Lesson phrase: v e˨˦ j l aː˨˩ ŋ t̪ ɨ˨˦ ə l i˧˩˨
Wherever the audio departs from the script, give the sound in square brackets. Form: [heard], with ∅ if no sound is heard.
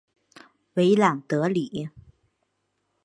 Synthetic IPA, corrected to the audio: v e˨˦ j l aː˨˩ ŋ t̪ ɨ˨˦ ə l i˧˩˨